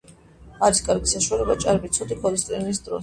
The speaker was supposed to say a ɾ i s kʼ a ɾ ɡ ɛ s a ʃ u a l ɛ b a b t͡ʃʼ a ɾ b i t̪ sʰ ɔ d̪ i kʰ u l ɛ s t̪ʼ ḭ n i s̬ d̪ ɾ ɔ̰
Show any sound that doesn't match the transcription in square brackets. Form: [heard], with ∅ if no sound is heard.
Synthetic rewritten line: a ɾ i s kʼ a ɾ ɡ [i] s a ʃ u a l ɛ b a [∅] t͡ʃʼ a ɾ b i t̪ sʰ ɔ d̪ i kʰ [ɔ] l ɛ s t̪ʼ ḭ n i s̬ d̪ ɾ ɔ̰